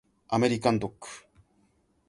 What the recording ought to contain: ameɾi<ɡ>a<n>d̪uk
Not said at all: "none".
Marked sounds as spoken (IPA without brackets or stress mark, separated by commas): k, n